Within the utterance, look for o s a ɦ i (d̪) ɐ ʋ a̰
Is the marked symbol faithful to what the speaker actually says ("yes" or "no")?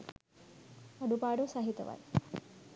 no